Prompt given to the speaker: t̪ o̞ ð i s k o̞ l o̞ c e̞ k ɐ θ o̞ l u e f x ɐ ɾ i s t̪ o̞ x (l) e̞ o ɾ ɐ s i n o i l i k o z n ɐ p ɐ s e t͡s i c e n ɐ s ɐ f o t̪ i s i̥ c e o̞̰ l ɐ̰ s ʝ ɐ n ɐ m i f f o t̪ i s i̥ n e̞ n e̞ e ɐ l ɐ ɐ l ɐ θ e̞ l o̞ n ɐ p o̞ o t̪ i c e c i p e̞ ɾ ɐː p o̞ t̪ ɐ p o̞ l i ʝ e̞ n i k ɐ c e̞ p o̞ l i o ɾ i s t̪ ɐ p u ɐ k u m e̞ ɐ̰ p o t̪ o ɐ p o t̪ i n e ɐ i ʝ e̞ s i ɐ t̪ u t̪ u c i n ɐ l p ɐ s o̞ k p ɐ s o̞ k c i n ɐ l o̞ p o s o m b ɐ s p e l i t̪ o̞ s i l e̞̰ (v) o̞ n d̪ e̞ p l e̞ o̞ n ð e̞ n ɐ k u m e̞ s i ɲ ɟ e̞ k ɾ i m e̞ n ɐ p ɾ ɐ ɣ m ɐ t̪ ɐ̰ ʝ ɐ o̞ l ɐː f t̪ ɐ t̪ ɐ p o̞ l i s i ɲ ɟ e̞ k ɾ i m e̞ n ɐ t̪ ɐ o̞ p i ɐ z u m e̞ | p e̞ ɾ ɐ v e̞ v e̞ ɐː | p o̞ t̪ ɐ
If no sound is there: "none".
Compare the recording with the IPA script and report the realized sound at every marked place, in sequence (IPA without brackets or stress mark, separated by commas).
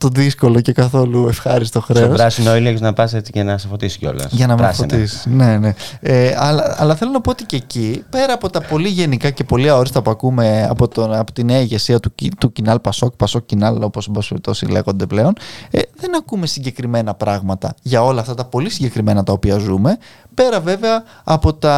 ɾ, ɣ